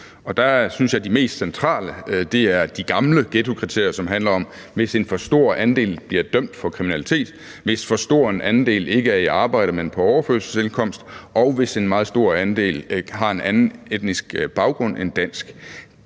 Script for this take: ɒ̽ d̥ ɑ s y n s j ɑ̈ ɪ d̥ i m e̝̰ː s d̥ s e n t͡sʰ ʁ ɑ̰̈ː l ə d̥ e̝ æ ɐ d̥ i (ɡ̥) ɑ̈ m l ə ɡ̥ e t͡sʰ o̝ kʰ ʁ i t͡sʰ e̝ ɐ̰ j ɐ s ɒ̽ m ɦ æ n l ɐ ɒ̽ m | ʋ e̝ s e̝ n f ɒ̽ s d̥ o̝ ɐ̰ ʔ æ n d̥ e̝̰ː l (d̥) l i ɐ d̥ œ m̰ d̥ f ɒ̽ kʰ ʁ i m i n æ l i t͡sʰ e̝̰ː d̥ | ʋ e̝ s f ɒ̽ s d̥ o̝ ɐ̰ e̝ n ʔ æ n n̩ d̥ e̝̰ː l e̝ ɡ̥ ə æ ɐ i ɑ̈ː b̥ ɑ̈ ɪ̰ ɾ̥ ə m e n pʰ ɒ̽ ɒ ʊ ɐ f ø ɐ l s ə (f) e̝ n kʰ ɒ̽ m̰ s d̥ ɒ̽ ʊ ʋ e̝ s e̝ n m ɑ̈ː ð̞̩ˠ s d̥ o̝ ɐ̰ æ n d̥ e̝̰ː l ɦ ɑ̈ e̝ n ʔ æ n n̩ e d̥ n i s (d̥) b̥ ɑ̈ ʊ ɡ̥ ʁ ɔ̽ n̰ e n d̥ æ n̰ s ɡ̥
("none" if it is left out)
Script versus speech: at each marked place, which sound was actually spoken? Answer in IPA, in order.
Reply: ɡ̥, b̥, s, ɡ̥

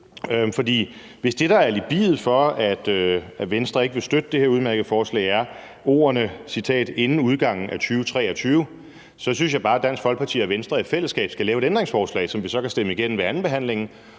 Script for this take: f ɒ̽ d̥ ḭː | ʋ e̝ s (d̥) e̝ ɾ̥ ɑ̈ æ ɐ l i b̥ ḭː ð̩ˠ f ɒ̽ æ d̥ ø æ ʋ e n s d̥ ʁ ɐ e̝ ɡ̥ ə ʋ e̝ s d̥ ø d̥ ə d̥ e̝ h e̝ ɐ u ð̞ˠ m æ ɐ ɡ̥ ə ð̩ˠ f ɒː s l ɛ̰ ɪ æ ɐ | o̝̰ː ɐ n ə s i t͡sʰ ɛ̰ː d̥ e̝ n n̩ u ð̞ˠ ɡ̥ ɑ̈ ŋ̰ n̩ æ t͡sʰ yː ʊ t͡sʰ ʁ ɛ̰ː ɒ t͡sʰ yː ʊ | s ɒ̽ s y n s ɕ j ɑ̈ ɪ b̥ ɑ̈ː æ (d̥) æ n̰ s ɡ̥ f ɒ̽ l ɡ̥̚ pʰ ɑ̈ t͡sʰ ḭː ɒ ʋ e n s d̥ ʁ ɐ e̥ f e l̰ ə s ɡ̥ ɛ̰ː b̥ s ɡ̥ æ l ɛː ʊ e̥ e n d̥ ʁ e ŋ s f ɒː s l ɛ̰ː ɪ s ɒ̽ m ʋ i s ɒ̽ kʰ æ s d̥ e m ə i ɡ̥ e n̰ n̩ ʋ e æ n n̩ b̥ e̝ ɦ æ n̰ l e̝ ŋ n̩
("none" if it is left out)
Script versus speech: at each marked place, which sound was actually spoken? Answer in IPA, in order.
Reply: d̥, d̥

